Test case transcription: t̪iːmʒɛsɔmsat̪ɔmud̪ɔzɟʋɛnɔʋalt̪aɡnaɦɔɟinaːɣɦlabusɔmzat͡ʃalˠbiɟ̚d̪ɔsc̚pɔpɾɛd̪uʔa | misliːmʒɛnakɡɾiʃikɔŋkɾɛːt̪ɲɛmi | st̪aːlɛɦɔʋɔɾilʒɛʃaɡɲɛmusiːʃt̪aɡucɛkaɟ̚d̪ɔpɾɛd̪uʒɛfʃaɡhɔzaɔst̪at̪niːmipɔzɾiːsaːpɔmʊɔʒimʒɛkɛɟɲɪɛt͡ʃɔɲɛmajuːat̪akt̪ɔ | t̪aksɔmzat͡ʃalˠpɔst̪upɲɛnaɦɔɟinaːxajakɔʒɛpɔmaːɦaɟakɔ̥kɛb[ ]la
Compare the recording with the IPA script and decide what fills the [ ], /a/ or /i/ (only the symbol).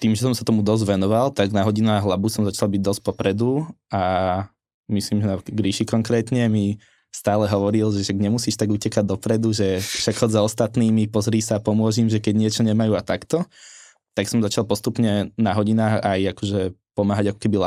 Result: i